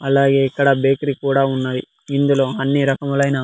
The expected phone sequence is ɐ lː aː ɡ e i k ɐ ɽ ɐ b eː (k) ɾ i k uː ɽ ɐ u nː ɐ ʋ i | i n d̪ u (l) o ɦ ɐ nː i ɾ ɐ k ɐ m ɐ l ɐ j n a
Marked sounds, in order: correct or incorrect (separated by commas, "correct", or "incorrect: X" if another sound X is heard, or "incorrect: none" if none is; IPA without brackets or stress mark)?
correct, correct